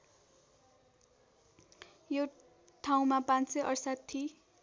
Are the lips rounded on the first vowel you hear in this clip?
yes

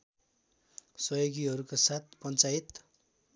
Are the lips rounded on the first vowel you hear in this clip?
no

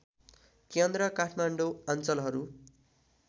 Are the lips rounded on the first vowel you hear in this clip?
no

